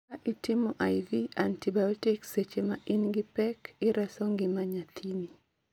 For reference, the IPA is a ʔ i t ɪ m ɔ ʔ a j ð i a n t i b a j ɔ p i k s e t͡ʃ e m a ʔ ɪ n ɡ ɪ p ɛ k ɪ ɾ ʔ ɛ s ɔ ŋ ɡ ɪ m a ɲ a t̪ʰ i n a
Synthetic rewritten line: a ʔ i t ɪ m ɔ ʔ a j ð i a n t i b a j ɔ t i k s e t͡ʃ e m a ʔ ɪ n ɡ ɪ p ɛ k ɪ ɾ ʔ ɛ s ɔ ŋ ɡ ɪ m a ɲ a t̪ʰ i n i